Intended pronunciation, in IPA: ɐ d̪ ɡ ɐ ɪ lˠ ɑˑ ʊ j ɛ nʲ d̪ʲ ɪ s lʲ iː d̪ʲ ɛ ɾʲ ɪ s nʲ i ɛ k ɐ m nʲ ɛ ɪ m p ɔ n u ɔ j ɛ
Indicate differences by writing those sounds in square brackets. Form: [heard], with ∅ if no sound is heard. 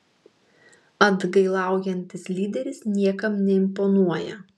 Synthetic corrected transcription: ɐ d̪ ɡ ɐ ɪ lˠ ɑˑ ʊ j ɛ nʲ [t̪ʲ] ɪ s lʲ iː d̪ʲ ɛ ɾʲ ɪ s nʲ i ɛ k ɐ m nʲ ɛ ɪ m p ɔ n u ɔ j ɛ